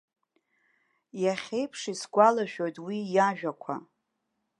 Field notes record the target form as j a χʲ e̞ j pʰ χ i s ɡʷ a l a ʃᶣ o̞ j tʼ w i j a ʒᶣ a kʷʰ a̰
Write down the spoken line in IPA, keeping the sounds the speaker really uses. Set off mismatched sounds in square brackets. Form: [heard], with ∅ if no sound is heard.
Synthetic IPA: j a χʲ e̞ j pʰ [ʂ] i s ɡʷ a l a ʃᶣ o̞ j tʼ w i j a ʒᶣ a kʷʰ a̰